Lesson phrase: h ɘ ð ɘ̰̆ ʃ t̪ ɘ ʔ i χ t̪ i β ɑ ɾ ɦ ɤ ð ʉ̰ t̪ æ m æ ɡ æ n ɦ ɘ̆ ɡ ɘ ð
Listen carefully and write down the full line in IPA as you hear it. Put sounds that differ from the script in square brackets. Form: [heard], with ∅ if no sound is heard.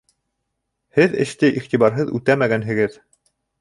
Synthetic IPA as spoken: h ɘ ð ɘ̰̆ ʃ t̪ ɘ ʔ i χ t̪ i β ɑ ɾ ɦ ɤ ð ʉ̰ t̪ æ m æ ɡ æ n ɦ ɘ̆ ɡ ɘ ð